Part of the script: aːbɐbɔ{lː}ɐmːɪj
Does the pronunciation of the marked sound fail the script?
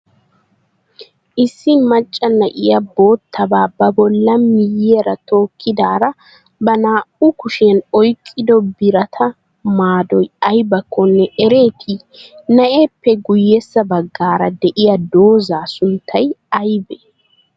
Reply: no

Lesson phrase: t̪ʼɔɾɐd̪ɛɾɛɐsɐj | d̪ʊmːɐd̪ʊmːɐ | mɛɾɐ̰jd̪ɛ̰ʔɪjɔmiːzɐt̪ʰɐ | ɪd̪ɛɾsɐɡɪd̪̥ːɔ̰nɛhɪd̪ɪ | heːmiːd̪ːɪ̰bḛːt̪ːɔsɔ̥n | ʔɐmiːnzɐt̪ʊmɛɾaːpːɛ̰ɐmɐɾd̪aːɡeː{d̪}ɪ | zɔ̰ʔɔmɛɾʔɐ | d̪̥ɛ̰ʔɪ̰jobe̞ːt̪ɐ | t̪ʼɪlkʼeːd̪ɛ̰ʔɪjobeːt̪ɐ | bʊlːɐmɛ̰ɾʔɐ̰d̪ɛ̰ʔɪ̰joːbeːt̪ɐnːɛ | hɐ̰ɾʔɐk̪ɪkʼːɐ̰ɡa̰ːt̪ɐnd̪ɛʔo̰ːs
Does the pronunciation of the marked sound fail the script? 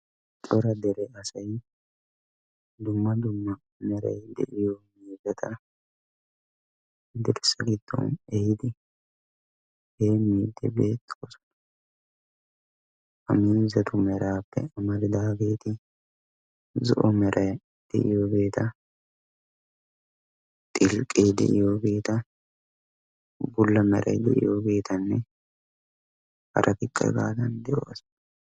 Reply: yes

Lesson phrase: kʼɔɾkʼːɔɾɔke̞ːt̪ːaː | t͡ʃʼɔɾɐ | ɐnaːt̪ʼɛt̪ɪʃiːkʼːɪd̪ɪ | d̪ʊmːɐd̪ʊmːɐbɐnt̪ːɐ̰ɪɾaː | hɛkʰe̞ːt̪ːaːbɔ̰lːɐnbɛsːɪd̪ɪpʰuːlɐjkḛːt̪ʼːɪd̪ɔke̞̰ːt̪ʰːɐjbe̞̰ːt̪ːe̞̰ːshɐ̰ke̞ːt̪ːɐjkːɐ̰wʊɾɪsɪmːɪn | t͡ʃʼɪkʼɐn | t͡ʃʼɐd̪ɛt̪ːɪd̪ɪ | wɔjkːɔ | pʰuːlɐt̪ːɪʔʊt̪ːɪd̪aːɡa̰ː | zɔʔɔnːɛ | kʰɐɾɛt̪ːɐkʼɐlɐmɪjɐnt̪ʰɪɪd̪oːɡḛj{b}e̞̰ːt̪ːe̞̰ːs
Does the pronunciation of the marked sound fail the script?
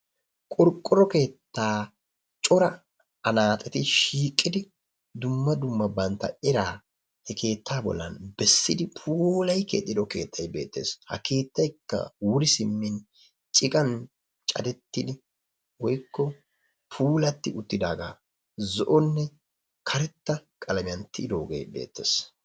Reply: no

